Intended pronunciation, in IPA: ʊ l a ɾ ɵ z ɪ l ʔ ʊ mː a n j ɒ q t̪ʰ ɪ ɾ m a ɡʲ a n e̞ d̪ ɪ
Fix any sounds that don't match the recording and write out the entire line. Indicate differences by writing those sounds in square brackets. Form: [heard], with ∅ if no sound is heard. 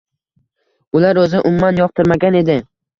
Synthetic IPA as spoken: ʊ l a ɾ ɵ z ɪ [∅] ʔ ʊ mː a n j ɒ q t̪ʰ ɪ ɾ m a ɡʲ a n e̞ d̪ ɪ